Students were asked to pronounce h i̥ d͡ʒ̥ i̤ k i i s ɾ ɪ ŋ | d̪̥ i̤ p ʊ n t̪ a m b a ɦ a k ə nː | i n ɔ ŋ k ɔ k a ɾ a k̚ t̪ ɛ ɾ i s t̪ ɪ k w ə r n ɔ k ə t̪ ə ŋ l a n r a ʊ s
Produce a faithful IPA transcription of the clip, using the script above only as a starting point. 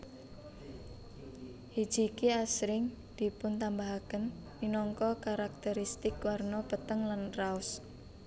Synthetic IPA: h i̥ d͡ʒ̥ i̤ k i a s ɾ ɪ ŋ | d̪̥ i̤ p ʊ n t̪ a m b a ɦ a k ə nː | i n ɔ ŋ k ɔ k a ɾ a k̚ t̪ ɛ ɾ i s t̪ ɪ k w a r n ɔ p ə t̪ ə ŋ l a n r a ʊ s